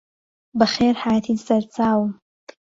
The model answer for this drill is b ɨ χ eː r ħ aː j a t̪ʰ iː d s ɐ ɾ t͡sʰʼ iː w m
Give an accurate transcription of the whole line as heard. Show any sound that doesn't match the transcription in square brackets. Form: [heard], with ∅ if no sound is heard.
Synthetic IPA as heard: b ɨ χ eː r ħ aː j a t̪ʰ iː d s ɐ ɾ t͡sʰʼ [aː] w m